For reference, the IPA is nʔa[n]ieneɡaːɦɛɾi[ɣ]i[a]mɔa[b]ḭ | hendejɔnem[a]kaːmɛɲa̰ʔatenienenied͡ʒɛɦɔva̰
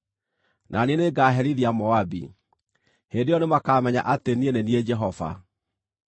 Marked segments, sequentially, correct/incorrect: correct, incorrect: ð, correct, correct, correct

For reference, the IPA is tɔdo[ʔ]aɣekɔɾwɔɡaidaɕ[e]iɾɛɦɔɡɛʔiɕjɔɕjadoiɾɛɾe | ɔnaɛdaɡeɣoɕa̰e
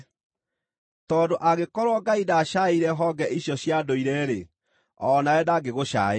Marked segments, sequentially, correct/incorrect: correct, incorrect: a

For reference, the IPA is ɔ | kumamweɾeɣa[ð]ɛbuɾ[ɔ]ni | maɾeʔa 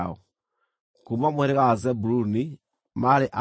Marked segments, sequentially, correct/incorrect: incorrect: z, incorrect: u

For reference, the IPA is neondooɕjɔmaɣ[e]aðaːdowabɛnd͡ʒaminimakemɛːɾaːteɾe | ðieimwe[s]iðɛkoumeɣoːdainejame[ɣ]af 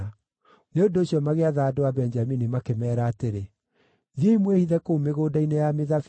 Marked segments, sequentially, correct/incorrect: correct, incorrect: h, incorrect: ð

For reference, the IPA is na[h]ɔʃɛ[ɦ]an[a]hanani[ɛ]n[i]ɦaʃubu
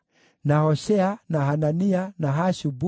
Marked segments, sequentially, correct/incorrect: correct, incorrect: none, correct, incorrect: a, incorrect: a

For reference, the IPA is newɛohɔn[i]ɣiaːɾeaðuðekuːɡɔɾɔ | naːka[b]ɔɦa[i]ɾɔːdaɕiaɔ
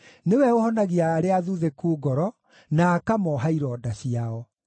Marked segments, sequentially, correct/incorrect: incorrect: a, incorrect: m, correct

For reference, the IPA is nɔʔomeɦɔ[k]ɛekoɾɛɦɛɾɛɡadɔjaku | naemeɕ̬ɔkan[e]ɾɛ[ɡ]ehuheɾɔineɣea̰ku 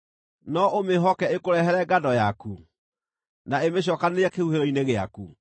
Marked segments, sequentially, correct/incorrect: correct, correct, incorrect: k

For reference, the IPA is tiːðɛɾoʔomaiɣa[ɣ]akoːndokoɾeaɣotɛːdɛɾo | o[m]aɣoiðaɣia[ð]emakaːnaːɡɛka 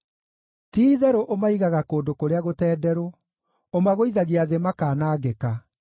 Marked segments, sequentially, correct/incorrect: correct, correct, correct

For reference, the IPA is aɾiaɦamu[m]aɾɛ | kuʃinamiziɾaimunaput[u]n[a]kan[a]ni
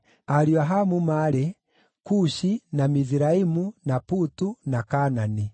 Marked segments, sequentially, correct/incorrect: correct, correct, correct, correct

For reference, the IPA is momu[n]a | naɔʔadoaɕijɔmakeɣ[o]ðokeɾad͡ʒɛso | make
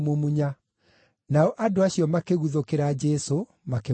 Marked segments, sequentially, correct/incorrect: incorrect: ɲ, incorrect: u

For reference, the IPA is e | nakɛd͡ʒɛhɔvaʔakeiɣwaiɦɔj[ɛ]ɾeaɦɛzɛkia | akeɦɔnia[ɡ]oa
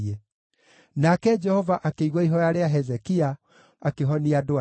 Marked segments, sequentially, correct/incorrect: incorrect: a, incorrect: d

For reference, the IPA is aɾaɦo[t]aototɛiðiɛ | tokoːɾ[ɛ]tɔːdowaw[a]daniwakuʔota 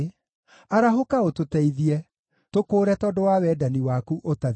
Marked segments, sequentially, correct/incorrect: incorrect: k, correct, incorrect: ɛ

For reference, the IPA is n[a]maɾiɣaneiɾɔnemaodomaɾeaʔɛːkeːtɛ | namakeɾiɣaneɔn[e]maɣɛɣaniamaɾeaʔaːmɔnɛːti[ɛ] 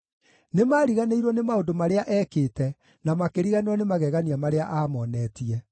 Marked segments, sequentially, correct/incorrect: incorrect: e, correct, correct

